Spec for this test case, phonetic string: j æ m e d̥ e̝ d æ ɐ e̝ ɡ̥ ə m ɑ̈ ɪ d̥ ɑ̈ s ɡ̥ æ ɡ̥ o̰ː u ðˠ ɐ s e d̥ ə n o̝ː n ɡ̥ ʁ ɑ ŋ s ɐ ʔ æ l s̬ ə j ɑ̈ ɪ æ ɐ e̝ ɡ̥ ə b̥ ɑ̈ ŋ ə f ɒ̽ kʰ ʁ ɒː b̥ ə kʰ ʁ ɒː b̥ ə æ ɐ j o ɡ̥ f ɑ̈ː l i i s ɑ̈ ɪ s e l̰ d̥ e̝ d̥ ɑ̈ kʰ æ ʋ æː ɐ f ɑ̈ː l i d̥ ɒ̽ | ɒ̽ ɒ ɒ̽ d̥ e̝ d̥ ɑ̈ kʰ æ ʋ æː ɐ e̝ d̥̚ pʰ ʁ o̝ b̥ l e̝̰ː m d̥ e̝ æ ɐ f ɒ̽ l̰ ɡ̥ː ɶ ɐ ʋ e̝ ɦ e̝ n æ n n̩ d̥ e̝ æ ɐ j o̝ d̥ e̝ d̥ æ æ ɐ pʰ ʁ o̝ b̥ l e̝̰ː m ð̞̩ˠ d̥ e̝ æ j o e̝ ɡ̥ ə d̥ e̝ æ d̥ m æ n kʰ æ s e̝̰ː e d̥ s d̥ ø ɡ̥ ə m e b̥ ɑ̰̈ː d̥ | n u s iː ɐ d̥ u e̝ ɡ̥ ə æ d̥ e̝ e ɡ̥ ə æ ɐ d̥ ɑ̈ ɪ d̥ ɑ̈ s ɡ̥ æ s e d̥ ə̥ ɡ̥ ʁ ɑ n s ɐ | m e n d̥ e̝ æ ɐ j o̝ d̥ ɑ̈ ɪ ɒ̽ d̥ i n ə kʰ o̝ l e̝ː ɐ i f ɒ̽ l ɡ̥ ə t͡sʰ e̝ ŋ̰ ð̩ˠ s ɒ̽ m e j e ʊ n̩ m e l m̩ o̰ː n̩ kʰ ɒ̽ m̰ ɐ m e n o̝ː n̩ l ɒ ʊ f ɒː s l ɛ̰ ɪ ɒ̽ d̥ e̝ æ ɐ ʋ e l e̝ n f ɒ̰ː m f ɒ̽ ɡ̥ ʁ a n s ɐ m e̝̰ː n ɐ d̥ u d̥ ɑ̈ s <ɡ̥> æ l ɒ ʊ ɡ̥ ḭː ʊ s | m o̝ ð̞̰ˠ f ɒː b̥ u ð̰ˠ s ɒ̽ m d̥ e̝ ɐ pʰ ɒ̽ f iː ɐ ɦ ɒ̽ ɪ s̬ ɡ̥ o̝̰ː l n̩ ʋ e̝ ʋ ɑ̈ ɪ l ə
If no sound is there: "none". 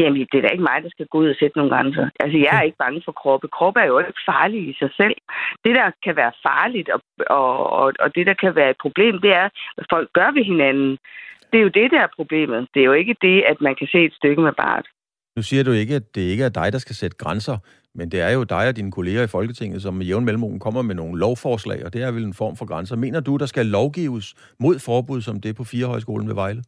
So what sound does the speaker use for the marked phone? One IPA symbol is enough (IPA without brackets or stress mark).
ɡ̥